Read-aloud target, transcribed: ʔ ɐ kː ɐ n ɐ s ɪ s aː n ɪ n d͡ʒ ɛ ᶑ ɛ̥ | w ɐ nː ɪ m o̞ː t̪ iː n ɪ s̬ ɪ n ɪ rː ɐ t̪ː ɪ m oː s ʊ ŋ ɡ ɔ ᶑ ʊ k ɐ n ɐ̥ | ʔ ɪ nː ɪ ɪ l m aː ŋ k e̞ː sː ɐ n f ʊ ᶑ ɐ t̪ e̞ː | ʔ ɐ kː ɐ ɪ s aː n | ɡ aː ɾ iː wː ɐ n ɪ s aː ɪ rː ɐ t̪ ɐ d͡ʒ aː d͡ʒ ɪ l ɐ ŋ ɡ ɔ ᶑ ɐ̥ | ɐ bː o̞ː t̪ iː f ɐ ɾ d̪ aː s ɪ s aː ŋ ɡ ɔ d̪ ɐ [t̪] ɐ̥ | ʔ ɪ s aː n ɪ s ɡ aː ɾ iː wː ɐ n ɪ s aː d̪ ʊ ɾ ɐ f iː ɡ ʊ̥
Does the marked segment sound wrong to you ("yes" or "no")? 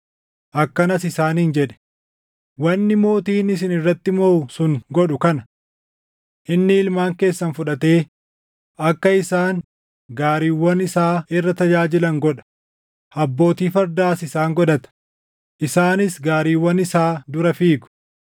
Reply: no